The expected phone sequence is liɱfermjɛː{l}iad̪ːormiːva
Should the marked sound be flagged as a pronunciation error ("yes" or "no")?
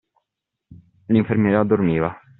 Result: yes